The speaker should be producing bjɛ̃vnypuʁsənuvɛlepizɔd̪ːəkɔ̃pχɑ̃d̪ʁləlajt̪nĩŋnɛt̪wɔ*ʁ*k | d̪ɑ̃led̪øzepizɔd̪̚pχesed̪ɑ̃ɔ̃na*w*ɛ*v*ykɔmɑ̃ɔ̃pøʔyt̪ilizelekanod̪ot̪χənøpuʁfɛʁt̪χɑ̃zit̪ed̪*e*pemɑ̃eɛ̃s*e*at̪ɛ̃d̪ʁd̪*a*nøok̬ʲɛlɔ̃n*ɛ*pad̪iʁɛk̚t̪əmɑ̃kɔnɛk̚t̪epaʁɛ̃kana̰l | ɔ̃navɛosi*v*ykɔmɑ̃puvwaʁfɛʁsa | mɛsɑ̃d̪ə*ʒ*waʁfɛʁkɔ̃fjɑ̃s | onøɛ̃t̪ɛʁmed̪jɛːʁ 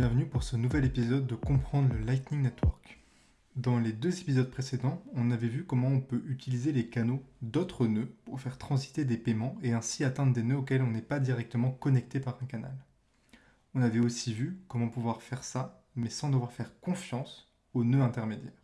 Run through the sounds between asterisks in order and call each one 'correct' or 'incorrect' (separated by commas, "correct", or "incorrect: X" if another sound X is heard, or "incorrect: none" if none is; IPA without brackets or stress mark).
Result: correct, incorrect: v, correct, correct, incorrect: i, incorrect: e, correct, correct, incorrect: v